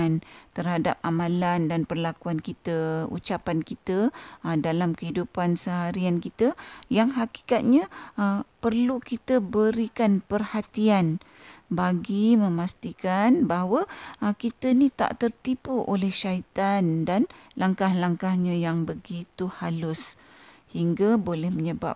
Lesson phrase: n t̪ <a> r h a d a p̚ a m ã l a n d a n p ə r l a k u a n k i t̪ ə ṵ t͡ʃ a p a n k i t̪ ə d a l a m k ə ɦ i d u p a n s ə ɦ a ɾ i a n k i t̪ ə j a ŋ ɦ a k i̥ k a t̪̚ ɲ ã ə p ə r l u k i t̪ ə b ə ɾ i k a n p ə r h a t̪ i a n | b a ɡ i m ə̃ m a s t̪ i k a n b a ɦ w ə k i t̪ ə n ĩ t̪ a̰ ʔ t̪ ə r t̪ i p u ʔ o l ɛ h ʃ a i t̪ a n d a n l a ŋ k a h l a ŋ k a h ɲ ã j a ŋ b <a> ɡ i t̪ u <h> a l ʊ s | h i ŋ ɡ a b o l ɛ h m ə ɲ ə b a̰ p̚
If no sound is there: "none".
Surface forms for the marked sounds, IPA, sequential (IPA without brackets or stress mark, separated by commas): ə, ə, h